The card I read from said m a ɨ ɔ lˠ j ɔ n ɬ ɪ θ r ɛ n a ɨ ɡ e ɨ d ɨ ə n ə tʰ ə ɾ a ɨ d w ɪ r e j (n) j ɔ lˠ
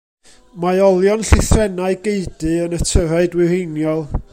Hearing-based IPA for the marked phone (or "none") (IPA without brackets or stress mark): n